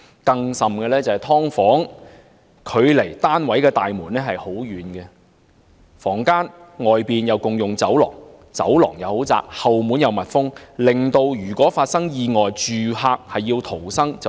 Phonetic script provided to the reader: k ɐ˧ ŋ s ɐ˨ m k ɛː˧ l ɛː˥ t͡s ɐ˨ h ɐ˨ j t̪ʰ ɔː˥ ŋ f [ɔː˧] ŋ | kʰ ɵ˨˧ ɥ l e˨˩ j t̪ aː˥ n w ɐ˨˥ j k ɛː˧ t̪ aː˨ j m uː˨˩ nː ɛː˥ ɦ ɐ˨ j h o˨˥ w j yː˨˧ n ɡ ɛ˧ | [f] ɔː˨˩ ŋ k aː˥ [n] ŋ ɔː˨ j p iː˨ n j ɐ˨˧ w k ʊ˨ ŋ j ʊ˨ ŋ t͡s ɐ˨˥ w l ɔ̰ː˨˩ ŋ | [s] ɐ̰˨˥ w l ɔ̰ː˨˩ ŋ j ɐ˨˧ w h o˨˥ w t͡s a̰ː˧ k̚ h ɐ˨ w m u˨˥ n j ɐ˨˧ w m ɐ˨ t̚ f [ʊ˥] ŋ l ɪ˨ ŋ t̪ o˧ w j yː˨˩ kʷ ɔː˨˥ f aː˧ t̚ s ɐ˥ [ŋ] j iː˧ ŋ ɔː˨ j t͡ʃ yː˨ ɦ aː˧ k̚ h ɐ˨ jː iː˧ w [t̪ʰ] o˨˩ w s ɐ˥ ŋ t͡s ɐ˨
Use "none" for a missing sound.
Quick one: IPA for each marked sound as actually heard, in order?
ɔː˨˥, f, n, t͡s, ʊ˥, ŋ, t̪ʰ

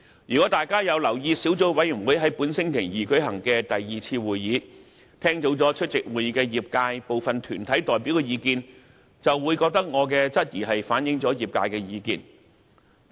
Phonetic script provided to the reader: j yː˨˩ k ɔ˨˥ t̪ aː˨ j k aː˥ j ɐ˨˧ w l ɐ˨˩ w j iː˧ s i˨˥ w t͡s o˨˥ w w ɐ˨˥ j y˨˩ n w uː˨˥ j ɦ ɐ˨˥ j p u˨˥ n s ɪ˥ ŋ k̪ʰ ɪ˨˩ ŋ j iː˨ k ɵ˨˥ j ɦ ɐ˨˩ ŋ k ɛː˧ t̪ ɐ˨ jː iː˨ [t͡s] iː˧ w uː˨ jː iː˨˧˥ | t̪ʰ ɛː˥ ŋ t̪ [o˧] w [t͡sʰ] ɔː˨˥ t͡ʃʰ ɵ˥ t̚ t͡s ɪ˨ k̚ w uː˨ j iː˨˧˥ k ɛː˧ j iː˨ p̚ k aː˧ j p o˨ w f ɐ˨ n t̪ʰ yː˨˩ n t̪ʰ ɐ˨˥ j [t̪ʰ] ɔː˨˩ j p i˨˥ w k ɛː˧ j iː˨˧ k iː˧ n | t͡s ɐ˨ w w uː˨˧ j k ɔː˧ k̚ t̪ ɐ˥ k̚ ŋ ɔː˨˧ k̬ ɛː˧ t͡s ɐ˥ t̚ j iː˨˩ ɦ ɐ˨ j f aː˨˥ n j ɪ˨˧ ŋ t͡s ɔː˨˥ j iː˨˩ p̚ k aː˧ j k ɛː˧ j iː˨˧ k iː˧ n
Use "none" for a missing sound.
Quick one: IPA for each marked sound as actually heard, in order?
t͡sʰ, o˨˥, t͡s, t̪

